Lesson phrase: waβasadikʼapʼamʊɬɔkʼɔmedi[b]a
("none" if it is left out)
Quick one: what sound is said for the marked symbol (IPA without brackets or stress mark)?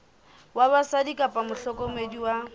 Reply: w